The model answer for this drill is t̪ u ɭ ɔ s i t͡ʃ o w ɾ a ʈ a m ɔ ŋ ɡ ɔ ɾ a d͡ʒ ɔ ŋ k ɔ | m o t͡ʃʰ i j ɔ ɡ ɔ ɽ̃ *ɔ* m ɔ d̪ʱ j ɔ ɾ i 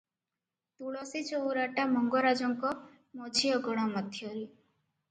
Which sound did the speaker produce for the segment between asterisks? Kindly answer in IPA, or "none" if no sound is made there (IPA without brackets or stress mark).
ɔ